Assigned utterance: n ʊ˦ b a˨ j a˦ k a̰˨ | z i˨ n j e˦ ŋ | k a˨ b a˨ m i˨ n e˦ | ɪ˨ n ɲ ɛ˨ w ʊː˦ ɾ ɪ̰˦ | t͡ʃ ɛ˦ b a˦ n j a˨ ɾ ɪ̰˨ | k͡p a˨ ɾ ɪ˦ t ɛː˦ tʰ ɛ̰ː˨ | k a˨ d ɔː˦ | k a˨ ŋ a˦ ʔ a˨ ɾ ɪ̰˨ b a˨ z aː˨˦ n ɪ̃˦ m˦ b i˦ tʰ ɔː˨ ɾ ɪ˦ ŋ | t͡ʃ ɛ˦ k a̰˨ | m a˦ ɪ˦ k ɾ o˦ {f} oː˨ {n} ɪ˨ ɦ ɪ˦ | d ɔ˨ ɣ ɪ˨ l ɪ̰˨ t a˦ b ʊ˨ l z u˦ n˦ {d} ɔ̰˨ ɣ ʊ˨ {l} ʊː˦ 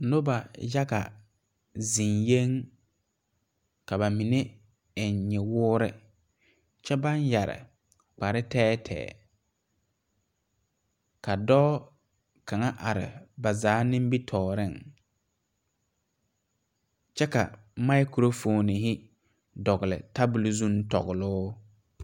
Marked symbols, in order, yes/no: yes, yes, no, yes

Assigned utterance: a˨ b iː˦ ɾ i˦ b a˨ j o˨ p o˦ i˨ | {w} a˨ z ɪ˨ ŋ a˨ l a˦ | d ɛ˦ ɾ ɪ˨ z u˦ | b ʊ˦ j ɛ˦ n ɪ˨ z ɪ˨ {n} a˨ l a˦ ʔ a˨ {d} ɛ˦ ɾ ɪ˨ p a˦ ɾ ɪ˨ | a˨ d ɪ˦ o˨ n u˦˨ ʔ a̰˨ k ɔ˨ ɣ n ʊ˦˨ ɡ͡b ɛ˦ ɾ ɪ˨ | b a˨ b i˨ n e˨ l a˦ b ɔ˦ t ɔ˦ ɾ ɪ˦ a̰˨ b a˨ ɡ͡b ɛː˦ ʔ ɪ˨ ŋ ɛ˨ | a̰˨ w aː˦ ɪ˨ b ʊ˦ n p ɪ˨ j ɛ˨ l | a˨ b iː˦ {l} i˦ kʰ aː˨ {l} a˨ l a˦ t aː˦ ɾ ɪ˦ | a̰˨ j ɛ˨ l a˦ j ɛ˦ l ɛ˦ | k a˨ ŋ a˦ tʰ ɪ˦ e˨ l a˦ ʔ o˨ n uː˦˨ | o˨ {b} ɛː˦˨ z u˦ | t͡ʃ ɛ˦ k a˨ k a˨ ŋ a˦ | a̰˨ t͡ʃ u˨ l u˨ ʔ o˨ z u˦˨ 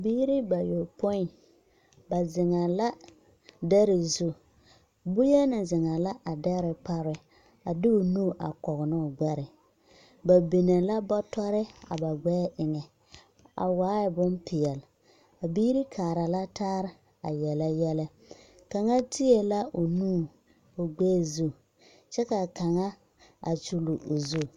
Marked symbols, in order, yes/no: no, no, yes, no, no, no

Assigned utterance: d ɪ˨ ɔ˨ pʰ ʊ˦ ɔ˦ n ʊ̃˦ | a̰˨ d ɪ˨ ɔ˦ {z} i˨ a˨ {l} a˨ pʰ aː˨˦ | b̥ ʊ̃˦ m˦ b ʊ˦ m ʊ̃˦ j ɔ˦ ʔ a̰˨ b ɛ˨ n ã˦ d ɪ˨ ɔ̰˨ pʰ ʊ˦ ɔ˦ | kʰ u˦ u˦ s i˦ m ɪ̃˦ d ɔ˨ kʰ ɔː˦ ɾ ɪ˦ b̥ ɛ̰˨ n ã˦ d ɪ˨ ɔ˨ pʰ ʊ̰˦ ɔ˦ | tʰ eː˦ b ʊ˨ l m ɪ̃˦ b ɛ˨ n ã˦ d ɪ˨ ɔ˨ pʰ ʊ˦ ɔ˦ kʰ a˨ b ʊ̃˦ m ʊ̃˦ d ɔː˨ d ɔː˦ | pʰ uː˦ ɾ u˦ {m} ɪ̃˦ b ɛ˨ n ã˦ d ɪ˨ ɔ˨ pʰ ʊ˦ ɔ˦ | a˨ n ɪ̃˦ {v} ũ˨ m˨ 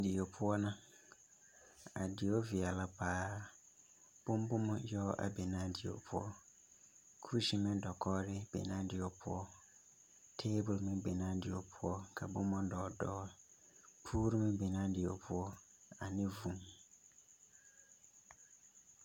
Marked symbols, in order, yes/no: no, yes, yes, yes

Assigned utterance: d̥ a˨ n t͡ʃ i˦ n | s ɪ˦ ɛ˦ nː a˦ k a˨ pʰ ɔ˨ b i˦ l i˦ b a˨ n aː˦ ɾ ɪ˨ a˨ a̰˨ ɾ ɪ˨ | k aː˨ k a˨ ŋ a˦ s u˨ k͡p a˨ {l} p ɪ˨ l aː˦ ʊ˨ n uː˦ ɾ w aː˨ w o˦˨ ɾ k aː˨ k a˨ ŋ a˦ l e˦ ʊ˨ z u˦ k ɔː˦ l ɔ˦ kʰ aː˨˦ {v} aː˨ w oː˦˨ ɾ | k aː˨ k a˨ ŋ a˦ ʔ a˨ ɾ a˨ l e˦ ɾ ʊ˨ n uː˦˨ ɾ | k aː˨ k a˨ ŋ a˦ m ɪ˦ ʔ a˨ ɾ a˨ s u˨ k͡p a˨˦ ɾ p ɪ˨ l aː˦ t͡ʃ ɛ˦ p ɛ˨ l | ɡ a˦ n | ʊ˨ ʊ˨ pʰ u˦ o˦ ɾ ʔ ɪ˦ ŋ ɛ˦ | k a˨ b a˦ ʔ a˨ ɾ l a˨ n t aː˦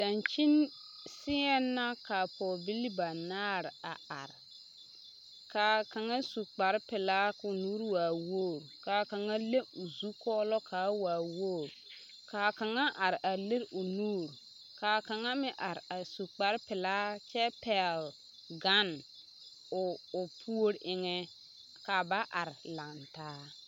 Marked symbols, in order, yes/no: no, no

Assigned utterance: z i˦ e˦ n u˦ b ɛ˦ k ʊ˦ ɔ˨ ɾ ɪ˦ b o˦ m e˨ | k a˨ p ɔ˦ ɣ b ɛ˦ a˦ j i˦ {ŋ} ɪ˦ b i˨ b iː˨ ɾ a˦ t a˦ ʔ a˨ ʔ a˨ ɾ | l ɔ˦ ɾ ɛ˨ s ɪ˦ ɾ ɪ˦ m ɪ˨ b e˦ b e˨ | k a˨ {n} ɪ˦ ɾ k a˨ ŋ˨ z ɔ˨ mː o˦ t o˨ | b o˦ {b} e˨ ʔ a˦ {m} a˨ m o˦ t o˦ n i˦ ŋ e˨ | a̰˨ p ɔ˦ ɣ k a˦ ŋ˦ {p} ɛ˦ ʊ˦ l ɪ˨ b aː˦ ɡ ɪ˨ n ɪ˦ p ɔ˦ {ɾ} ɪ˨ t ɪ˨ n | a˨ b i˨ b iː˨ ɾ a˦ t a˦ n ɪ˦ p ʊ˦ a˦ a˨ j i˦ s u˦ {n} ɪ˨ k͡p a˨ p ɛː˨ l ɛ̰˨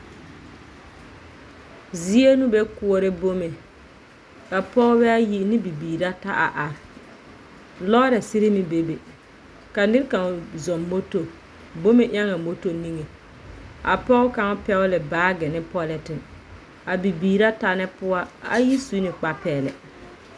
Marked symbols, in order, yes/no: no, yes, no, no, yes, no, yes

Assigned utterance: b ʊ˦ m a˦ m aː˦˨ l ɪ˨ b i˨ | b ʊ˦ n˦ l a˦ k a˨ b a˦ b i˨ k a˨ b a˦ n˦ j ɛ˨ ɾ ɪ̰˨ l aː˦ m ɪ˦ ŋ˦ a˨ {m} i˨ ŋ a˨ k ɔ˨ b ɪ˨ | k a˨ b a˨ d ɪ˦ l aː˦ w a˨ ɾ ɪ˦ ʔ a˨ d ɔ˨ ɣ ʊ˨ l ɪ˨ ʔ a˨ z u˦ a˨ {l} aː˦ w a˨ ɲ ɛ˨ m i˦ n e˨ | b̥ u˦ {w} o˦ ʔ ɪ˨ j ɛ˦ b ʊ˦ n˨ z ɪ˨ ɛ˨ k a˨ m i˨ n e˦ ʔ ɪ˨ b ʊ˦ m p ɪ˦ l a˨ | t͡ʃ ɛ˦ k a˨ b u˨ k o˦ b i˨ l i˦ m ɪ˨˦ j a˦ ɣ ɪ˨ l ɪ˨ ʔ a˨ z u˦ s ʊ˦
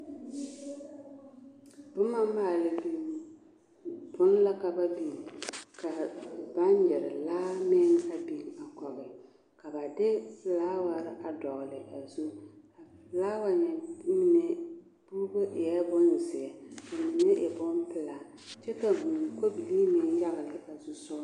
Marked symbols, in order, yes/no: no, yes, no

